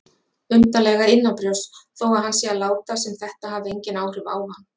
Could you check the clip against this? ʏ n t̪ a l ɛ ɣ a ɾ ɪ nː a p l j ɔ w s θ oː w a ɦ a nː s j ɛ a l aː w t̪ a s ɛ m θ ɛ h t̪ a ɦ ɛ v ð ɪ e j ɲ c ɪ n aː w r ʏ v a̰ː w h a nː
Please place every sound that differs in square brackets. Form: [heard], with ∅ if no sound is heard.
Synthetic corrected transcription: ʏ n t̪ a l ɛ ɣ a ɾ ɪ nː a p [ɾ] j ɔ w s θ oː w a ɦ a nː s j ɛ a l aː w t̪ a s ɛ m θ ɛ h t̪ a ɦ [a] v ð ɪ e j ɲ c ɪ n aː w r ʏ v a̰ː w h a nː